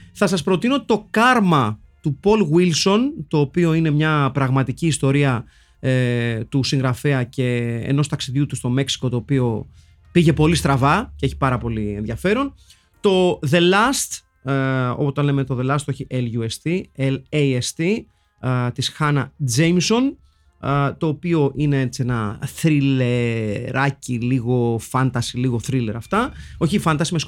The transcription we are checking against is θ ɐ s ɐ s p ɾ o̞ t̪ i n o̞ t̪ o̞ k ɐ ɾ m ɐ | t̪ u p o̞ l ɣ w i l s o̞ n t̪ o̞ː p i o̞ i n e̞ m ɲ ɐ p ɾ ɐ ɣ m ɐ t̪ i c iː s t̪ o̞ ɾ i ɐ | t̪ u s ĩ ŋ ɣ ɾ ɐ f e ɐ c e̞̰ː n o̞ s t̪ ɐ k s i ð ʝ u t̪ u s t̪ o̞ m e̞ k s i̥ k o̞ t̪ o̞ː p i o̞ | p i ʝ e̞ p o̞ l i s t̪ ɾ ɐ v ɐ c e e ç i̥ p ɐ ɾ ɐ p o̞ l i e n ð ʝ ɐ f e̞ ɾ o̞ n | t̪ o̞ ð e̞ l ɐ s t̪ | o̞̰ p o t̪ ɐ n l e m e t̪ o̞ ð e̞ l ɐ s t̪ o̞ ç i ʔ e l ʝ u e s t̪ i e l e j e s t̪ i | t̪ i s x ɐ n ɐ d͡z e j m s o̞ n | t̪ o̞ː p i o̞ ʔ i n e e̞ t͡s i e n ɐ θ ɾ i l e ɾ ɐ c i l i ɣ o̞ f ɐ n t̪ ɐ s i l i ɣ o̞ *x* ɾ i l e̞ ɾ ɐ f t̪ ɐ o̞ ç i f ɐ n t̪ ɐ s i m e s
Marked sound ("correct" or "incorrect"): incorrect